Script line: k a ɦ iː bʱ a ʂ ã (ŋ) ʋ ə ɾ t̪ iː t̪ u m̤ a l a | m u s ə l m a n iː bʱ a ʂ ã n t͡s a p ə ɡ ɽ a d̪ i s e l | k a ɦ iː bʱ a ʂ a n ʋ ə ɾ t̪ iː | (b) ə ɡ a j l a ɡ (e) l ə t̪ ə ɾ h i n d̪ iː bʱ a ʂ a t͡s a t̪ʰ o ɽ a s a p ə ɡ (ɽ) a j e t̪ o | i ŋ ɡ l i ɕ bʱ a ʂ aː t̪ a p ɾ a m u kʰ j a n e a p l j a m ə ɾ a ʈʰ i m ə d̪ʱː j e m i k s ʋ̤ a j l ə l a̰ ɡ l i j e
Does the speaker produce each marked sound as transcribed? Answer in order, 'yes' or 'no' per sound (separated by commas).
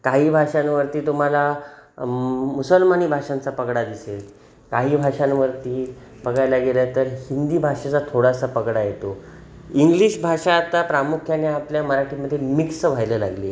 no, yes, yes, yes